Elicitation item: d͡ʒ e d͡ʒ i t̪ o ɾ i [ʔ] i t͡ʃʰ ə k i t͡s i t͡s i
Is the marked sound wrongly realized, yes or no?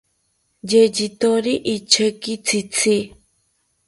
no